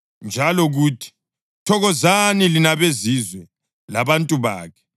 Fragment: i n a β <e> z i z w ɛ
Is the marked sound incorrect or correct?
correct